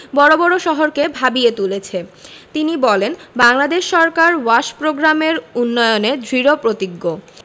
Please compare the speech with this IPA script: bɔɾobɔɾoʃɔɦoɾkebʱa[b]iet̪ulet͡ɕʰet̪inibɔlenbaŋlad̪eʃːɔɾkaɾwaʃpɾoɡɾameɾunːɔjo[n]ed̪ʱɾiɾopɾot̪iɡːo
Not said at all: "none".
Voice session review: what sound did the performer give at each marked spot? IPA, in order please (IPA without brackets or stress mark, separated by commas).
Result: b, n